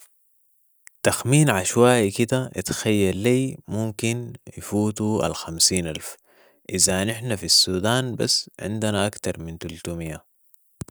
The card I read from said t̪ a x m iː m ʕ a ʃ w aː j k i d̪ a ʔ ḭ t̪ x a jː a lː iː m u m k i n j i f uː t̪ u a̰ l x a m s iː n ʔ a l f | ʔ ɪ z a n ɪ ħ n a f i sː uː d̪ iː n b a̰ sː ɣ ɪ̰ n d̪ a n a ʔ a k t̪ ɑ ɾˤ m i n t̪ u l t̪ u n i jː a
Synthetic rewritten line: t̪ a x m iː n ʕ a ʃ w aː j k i d̪ a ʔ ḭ t̪ x a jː a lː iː m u m k i n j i f uː t̪ u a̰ l x a m s iː n ʔ a l f | ʔ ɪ z a n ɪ ħ n a f i sː uː d̪ aː n b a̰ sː ʕ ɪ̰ n d̪ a n a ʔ a k t̪ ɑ ɾˤ m i n t̪ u l t̪ u m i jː a